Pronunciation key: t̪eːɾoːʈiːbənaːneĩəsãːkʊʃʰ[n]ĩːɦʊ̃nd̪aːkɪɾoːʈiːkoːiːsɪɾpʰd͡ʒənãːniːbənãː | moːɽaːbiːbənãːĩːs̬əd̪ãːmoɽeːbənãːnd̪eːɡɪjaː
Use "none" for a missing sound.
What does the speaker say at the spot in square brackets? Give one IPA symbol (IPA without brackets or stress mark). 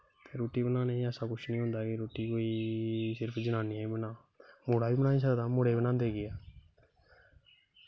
n